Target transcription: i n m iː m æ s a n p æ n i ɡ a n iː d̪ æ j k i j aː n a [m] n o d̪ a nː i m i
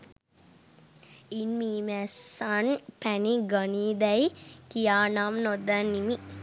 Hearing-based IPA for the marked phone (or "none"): m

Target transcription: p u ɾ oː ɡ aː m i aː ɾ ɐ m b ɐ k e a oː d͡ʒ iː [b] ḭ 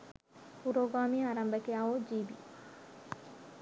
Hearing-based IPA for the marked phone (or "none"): b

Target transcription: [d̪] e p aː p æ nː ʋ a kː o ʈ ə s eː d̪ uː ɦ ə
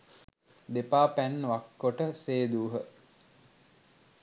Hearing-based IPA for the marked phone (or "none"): d̪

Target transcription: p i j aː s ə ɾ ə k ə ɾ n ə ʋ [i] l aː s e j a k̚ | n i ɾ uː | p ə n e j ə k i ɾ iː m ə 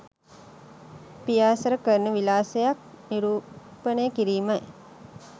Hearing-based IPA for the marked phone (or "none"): i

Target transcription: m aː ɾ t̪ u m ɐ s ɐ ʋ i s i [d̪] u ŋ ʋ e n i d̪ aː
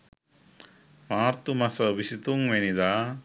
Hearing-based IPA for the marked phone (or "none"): t̪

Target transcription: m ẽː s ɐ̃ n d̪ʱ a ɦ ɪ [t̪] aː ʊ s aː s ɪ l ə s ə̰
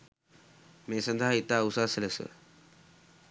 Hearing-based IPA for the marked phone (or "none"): t̪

